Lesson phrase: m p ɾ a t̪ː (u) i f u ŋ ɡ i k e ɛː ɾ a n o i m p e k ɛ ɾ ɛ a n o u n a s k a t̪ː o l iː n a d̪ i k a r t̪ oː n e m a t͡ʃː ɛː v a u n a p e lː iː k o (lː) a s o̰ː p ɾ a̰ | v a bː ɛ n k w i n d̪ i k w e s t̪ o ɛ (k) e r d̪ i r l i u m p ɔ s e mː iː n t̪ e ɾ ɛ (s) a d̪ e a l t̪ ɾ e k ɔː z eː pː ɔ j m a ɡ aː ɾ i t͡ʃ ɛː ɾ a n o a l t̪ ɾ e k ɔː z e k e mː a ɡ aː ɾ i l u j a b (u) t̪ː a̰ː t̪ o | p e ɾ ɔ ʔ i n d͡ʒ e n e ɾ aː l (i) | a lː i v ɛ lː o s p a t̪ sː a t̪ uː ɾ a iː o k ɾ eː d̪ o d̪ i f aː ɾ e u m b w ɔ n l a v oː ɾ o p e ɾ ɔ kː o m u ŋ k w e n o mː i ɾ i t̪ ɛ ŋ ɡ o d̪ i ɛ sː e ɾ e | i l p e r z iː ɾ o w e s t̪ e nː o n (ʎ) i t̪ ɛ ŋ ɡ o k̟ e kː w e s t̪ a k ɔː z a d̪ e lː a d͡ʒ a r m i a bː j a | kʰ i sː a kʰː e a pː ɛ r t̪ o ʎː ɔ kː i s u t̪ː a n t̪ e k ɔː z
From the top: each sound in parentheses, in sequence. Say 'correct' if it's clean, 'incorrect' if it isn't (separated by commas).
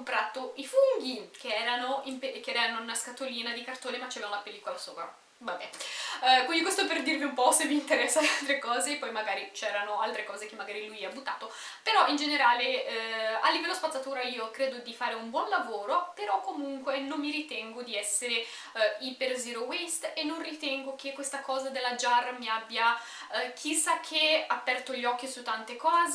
incorrect, incorrect, incorrect, incorrect, correct, incorrect, incorrect